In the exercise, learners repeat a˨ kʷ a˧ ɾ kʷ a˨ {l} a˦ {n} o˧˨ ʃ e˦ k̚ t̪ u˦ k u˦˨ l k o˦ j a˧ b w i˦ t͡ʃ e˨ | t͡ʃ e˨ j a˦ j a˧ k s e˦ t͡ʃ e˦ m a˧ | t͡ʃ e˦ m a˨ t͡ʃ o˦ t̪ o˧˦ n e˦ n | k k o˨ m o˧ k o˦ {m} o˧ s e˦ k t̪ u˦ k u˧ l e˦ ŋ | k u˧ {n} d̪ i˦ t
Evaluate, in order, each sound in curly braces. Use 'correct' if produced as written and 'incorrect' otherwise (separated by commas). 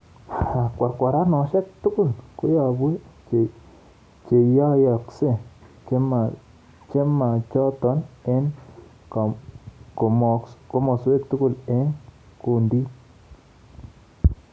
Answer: incorrect, correct, correct, correct